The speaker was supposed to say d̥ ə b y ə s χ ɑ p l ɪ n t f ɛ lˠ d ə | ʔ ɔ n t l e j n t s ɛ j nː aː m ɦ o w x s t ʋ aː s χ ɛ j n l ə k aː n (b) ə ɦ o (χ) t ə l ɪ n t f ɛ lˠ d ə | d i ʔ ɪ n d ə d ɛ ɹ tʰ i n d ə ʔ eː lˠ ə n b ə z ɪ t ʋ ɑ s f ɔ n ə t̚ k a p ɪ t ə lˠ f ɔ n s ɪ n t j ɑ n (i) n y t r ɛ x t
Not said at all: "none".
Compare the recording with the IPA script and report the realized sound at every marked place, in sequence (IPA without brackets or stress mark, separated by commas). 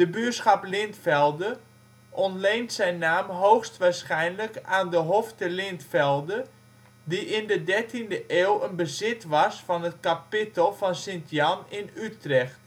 d, f, ɪ